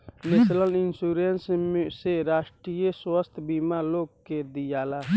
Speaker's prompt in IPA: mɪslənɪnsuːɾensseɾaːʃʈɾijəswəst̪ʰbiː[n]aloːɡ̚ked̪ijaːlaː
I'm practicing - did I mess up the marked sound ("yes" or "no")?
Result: yes